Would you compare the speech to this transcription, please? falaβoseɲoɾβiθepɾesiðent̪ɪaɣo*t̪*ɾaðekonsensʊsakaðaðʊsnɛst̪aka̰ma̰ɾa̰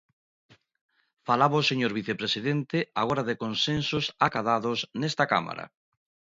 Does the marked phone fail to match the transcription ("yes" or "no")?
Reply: yes